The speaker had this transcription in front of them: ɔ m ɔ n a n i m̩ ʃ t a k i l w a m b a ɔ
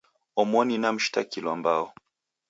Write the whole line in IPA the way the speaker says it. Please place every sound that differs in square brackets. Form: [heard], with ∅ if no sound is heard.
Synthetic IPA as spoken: ɔ m ɔ n [i] n [a] m̩ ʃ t a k i l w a m b a ɔ